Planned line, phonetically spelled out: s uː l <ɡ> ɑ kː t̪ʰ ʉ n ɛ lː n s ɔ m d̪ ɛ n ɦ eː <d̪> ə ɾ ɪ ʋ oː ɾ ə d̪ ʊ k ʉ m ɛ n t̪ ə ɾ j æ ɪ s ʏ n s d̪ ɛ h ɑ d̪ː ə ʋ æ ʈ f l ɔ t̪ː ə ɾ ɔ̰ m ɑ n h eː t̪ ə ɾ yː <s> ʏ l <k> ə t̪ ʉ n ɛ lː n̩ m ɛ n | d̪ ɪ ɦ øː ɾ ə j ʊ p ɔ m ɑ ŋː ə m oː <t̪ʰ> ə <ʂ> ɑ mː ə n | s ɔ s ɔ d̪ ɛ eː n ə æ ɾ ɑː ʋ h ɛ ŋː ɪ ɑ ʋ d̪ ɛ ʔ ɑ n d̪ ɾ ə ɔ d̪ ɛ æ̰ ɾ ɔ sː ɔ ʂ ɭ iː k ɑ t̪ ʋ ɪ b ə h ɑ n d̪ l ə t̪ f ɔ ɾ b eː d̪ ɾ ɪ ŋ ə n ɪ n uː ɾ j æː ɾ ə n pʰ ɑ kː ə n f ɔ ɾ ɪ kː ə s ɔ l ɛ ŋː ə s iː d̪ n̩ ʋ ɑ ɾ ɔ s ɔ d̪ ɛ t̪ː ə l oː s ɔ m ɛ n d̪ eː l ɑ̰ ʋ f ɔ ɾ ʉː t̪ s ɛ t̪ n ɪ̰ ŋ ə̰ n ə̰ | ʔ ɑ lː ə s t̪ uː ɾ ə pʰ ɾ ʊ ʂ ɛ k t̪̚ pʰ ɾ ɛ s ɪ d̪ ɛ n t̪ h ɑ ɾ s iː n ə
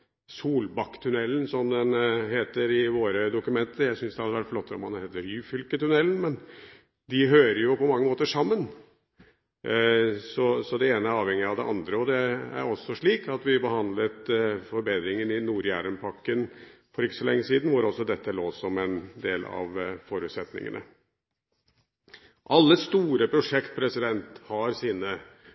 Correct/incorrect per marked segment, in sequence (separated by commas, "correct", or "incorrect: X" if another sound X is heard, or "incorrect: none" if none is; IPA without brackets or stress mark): incorrect: b, incorrect: t̪, incorrect: f, correct, incorrect: t̪, correct